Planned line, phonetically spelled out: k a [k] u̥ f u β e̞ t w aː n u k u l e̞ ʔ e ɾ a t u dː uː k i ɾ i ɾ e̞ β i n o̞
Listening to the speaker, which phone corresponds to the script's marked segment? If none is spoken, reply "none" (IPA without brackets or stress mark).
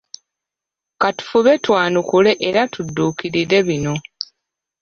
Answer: t